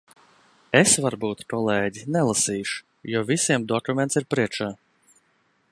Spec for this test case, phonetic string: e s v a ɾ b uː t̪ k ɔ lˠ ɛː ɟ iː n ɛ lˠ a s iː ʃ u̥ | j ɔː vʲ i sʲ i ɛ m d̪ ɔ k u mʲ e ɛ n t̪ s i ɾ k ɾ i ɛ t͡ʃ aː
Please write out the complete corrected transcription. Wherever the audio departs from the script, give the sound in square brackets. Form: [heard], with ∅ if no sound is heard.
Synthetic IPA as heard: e s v a ɾ b uː t̪ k ɔ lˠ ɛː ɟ [i] n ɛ lˠ a s iː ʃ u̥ | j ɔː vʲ i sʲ i ɛ m d̪ ɔ k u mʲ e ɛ n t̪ s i ɾ [p] ɾ i ɛ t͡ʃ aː